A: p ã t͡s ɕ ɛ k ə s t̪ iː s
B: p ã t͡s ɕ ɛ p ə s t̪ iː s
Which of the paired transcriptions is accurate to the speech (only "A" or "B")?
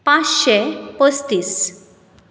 B